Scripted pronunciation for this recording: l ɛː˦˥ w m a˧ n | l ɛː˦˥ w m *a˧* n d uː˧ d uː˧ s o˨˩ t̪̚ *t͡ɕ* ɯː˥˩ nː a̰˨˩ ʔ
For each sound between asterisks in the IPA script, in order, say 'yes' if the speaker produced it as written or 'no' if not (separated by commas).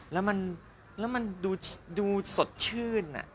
yes, no